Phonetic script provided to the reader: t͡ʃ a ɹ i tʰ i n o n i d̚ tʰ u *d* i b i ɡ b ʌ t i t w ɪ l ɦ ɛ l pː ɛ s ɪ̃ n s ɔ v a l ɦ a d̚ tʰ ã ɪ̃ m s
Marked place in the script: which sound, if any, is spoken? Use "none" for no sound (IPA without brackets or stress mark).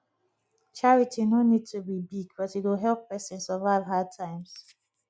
b